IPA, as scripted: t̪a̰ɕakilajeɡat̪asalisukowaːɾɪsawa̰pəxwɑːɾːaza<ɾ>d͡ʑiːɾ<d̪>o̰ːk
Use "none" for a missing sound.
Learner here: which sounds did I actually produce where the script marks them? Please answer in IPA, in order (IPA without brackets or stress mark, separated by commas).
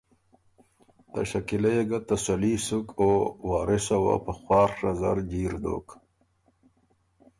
ɾ, d̪